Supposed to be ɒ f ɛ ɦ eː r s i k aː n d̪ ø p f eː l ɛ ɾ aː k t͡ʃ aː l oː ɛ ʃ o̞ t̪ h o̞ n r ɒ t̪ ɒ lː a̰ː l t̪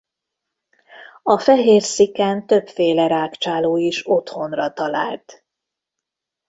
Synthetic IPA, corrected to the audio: ɒ f ɛ ɦ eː r s i k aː n t̪ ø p f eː l ɛ ɾ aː k t͡ʃ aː l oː i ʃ o̞ t̪ h o̞ n r ɒ t̪ ɒ l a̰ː l t̪